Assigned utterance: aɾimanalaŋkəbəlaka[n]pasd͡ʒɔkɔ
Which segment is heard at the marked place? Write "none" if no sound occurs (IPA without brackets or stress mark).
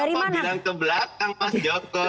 ŋ